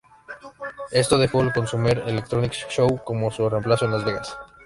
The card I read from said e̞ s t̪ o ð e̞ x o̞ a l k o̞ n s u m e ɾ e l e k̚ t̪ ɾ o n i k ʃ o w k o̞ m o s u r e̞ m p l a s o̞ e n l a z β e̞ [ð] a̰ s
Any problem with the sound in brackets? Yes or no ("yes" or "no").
yes